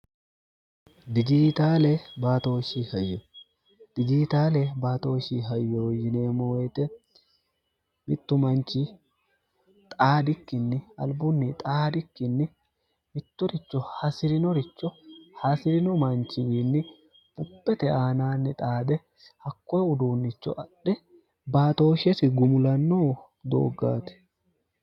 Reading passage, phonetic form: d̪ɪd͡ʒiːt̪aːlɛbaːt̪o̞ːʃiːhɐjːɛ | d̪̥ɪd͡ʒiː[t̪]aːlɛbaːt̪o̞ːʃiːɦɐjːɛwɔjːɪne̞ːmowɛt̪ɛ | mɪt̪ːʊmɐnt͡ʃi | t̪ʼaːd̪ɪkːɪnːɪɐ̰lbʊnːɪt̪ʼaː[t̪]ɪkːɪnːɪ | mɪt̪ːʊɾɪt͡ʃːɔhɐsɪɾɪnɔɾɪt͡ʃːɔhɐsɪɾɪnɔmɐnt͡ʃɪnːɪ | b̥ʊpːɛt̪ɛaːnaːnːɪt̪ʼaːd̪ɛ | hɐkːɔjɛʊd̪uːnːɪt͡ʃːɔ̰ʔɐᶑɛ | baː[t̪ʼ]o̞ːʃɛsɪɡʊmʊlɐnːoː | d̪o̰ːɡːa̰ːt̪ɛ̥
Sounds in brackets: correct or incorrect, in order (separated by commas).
correct, incorrect, incorrect